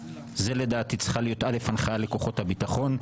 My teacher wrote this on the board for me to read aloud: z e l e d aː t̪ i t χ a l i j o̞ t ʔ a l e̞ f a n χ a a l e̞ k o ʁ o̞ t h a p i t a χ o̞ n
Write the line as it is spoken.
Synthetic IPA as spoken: z e l e d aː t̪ i t͡s χ a l i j o̞ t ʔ a l e̞ f a n χ a a l e̞ k o χ o̞ t h a b i t a χ o̞ n